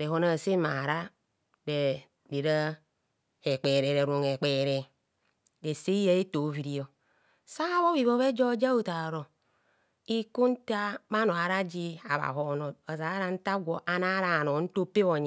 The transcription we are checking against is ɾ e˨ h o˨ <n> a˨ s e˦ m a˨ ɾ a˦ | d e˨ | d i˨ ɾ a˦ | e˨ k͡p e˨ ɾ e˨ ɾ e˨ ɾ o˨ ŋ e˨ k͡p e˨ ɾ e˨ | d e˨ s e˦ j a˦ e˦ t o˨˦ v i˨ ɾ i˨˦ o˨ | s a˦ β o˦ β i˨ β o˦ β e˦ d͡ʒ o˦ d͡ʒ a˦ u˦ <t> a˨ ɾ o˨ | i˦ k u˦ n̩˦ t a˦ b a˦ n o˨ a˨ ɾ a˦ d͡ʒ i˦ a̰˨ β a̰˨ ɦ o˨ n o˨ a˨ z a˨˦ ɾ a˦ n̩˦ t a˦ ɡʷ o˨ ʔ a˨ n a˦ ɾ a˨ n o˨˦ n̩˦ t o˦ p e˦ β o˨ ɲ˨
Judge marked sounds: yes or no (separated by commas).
yes, yes